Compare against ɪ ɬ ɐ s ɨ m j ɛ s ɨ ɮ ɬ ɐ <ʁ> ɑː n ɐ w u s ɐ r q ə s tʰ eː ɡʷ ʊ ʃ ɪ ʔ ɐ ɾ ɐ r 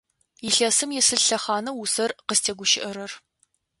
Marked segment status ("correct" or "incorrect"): incorrect